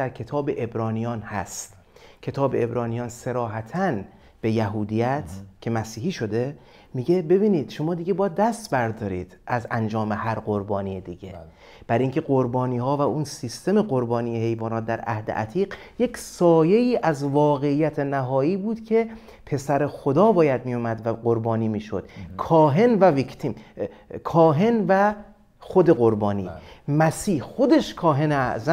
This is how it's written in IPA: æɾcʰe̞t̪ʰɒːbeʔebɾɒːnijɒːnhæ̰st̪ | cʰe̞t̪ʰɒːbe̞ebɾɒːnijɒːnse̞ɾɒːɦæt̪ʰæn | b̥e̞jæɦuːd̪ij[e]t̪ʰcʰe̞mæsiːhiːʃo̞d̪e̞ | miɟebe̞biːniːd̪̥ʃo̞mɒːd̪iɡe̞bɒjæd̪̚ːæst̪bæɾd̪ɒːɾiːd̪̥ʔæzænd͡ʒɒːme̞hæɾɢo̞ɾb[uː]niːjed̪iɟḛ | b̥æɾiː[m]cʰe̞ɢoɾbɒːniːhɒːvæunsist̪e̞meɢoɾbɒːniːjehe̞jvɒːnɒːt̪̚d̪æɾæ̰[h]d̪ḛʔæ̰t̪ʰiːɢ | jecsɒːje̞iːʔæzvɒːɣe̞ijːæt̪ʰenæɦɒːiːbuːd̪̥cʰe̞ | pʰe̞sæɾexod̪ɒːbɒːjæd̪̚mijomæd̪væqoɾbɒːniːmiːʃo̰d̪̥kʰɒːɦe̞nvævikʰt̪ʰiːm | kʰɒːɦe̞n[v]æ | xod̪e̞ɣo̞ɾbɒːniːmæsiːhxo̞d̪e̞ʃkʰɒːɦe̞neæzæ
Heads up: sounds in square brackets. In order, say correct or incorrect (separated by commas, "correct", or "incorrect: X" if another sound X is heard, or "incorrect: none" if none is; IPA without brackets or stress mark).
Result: incorrect: æ, incorrect: ɒː, incorrect: ŋ, correct, correct